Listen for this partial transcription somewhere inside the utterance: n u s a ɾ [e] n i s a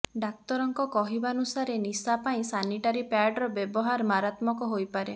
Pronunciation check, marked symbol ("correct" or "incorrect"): correct